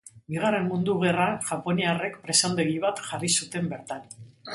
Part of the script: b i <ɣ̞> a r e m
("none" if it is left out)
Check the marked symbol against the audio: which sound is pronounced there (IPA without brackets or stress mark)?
ɣ̞